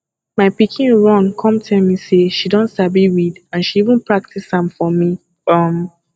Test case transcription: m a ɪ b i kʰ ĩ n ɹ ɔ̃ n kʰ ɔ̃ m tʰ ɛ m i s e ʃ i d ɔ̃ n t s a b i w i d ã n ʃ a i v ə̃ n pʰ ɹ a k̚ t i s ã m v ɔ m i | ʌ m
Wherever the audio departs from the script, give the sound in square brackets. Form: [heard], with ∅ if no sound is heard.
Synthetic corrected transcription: m a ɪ [p] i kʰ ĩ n ɹ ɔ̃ n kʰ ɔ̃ m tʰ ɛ m i s e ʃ i d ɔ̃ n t s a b i w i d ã n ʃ [i] i v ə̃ n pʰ ɹ a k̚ t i s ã m [f] ɔ m i | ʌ m